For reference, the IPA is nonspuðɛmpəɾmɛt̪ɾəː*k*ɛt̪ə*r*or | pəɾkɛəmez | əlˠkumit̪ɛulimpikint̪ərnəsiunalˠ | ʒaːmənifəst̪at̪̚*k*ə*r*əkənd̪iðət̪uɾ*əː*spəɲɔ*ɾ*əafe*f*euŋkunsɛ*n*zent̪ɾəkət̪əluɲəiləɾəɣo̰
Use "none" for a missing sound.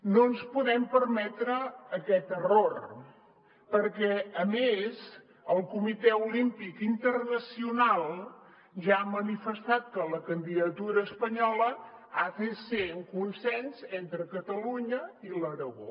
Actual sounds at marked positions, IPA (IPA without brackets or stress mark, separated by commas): k, r, k, l, əː, l, s, n